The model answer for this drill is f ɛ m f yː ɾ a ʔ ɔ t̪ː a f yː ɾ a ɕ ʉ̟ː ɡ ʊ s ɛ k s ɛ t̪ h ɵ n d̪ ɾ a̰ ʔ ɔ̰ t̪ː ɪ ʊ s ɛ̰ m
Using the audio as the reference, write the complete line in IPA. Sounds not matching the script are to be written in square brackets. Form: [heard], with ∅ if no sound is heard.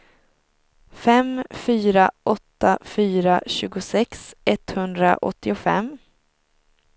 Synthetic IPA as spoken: f ɛ m f yː ɾ a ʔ ɔ t̪ː a f yː ɾ a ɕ ʉ̟ː ɡ ʊ s ɛ k s ɛ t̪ h ɵ n d̪ ɾ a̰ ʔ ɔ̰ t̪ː ɪ ʊ [f] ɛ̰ m